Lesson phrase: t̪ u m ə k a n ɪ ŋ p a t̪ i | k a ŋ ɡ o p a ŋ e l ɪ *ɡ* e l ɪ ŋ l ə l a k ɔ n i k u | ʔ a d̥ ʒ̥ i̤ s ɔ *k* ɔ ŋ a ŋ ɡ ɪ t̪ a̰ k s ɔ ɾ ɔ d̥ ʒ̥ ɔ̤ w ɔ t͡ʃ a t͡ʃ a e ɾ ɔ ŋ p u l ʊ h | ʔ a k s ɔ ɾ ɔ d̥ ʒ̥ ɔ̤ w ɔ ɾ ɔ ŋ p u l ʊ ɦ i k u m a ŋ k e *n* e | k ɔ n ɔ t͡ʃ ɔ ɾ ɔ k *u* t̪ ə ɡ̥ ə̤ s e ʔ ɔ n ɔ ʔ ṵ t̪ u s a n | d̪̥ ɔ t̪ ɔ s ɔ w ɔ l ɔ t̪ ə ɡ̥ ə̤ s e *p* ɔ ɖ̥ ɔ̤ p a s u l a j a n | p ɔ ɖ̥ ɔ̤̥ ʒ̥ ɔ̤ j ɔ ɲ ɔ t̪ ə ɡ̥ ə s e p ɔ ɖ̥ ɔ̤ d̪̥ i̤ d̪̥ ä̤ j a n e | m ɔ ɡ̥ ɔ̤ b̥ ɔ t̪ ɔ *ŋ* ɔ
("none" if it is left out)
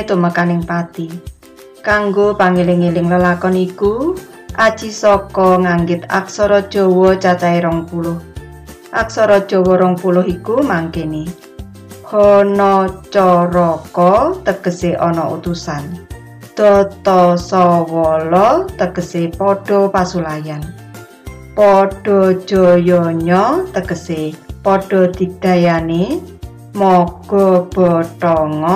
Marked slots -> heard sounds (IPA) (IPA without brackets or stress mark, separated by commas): ŋ, k, n, ɔ, p, ŋ